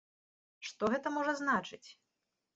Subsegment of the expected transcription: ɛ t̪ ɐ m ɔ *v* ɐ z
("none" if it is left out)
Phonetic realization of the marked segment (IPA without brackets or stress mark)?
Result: ʐ